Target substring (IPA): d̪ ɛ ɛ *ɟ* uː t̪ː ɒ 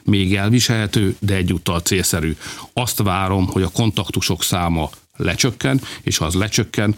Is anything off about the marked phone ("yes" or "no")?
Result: yes